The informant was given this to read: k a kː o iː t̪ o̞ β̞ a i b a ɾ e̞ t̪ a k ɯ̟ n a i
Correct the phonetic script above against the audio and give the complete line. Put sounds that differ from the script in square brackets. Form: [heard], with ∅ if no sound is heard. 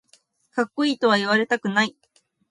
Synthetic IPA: k a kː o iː t̪ o̞ β̞ a i [β] a ɾ e̞ t̪ a k ɯ̟ n a i